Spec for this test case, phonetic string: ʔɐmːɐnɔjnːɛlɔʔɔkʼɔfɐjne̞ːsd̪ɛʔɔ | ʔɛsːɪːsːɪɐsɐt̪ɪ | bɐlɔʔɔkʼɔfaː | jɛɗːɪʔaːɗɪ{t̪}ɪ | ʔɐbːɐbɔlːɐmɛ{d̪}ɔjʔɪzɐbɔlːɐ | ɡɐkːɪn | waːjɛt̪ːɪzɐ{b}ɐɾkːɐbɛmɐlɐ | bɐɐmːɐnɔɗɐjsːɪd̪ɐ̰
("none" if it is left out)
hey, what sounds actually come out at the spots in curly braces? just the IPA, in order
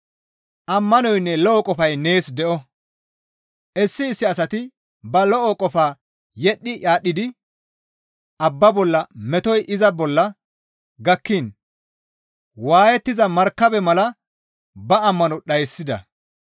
d̪, t̪, m

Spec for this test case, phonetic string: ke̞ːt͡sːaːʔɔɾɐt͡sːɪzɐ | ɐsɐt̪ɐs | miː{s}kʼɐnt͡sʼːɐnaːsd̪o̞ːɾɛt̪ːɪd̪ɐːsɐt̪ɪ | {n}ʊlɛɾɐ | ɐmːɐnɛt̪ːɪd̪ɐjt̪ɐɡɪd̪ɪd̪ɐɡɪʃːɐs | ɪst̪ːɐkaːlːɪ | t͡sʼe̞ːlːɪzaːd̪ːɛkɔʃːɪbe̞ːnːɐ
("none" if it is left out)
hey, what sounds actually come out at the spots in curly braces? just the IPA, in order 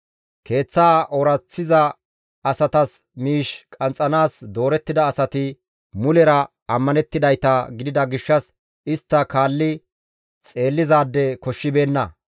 ʃ, m

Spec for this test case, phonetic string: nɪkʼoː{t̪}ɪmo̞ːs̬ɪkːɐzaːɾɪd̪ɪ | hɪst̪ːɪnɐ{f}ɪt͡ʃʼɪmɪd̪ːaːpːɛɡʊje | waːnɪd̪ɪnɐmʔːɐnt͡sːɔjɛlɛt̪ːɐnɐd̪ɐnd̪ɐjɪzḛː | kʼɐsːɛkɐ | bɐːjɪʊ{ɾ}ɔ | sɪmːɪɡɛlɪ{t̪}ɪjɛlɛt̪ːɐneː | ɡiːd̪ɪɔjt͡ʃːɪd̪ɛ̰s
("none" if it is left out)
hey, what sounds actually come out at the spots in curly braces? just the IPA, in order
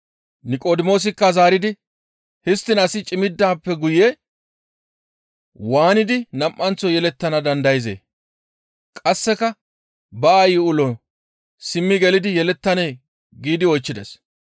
d̪, s, l, d̪

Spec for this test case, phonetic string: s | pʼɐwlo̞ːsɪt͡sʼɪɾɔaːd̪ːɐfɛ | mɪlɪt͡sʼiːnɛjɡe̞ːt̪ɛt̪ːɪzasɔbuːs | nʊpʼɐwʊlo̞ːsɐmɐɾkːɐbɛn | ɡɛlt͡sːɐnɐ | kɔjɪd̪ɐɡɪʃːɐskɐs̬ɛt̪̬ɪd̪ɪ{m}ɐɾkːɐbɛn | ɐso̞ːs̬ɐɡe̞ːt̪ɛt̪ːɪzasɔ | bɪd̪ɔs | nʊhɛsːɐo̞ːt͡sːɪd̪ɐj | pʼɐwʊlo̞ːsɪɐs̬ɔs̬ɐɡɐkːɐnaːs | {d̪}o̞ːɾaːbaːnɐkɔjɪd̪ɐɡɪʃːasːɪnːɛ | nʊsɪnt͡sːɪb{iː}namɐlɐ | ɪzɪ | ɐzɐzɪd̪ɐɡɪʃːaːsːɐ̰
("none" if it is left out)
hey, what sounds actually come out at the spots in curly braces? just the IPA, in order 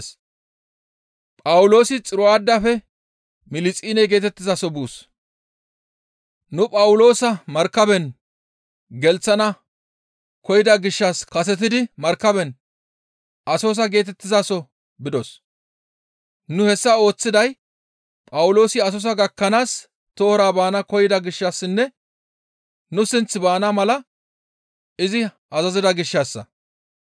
m, t̪, aː

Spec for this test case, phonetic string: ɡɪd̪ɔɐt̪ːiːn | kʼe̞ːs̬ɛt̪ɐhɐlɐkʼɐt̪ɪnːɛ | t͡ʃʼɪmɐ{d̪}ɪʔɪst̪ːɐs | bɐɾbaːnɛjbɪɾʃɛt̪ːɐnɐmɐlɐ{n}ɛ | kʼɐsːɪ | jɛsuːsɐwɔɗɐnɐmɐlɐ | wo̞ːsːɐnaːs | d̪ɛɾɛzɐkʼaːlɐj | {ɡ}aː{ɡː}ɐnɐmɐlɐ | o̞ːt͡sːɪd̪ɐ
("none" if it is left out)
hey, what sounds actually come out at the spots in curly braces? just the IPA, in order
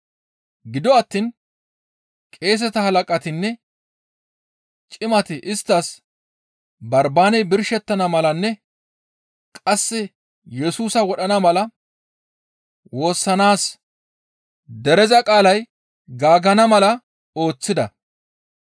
t̪, nː, ɡ, ɡ

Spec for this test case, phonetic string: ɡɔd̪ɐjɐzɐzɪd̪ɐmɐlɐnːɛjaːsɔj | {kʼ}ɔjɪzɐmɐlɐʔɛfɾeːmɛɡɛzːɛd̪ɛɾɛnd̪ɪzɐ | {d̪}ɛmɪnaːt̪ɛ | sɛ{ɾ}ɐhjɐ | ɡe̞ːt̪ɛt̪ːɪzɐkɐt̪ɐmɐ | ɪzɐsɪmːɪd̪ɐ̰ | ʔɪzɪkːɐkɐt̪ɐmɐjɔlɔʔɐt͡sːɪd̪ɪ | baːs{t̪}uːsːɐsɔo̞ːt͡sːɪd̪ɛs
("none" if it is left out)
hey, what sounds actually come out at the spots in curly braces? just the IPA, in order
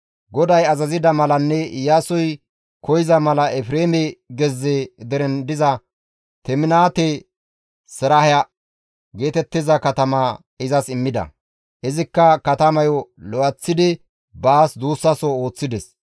k, t̪, ɾ, d̪

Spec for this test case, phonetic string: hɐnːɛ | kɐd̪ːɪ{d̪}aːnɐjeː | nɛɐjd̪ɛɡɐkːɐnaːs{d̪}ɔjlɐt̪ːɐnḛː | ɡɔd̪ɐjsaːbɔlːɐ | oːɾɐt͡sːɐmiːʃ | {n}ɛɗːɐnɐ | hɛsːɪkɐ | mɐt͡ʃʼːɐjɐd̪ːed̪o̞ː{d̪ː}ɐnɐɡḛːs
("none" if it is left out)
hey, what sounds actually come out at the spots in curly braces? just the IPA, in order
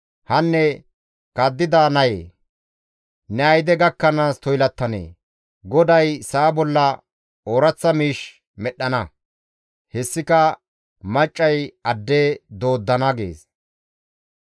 d̪, t̪, m, d̪ː

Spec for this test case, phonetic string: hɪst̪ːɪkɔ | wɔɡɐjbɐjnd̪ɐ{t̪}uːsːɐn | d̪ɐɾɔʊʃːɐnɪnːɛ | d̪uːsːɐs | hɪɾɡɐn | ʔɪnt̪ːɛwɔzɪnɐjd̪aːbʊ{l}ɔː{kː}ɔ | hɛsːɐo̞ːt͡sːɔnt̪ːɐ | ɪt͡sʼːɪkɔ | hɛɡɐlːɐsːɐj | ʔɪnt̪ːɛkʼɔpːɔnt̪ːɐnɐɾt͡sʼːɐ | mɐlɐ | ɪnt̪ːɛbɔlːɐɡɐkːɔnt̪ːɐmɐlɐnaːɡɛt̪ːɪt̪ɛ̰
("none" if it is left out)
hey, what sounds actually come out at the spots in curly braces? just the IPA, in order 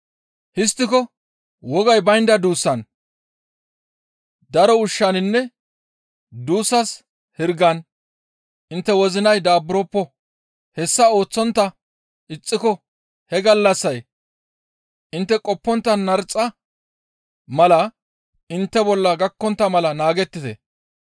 d̪, ɾ, pː

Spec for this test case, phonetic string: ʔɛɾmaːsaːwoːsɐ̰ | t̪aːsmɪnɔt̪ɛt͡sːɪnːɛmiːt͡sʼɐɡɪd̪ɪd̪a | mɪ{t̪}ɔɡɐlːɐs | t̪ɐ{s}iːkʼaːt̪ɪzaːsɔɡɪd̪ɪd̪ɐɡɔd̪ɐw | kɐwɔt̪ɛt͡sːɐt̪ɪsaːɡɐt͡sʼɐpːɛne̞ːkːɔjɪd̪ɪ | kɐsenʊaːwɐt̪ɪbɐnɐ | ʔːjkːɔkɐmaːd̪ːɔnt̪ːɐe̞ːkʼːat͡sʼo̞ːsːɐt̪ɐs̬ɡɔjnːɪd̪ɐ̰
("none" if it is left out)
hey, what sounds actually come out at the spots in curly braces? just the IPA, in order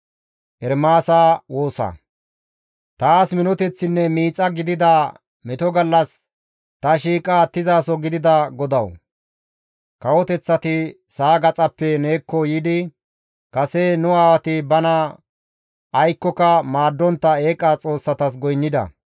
t̪, ʃ

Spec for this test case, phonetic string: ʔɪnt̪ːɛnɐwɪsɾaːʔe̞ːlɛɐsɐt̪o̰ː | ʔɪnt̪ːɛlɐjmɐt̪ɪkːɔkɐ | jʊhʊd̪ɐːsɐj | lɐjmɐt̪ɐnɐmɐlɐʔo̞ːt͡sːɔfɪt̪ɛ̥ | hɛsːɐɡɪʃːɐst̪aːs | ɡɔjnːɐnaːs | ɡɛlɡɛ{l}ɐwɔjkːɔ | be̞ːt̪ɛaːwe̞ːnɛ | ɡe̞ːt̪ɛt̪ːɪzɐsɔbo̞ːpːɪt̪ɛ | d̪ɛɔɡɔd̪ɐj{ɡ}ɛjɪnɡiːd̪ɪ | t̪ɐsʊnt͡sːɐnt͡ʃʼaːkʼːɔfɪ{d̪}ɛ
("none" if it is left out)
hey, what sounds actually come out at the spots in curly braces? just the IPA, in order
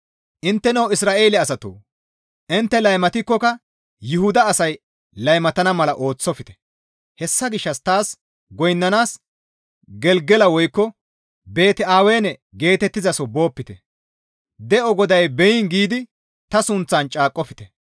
l, b, t̪

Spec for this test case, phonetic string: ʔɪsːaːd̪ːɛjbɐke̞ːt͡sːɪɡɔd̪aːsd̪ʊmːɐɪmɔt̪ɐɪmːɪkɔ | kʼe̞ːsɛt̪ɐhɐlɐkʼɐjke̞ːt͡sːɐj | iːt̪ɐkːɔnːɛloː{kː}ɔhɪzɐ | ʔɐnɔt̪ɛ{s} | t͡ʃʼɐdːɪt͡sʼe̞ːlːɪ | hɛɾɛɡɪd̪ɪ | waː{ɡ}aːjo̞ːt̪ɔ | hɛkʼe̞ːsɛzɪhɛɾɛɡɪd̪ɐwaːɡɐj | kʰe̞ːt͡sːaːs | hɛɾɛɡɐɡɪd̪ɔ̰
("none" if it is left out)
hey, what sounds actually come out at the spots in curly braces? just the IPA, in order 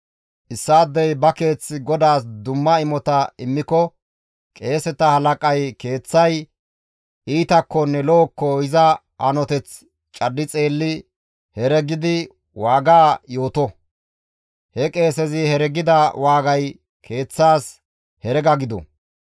kː, t͡s, ɡ

